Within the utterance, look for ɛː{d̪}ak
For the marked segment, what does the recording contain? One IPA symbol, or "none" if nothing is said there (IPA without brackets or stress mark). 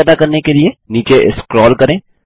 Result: d̪